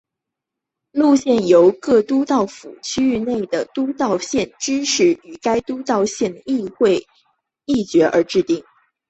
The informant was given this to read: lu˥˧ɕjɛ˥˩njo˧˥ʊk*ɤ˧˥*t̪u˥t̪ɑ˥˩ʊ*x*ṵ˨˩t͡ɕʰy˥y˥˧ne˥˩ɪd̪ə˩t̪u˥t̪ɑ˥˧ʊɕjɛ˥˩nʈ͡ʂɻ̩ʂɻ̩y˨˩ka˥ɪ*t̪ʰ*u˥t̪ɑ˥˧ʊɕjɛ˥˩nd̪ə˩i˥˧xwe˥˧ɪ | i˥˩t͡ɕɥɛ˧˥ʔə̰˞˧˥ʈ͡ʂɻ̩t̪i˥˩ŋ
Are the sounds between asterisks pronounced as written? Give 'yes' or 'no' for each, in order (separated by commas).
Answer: no, no, no